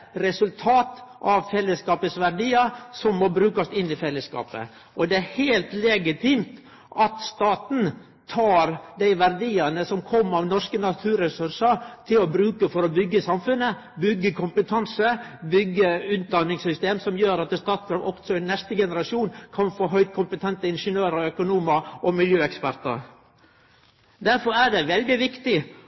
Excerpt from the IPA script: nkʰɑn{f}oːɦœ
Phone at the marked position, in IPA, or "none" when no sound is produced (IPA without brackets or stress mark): f